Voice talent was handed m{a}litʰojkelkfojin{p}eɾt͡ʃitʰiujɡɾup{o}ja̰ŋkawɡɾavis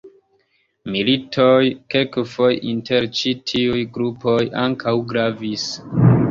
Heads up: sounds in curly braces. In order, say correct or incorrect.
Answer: incorrect, incorrect, correct

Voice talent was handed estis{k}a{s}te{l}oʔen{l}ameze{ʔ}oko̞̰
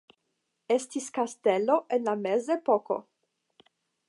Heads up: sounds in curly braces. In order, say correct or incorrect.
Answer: correct, correct, correct, correct, incorrect

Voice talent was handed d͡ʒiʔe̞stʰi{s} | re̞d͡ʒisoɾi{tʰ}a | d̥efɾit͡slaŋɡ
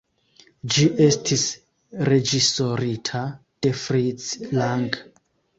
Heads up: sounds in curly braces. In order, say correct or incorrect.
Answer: correct, correct

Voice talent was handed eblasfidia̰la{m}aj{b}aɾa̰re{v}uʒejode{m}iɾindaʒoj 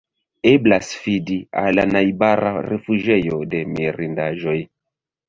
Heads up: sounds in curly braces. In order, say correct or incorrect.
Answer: incorrect, correct, incorrect, correct

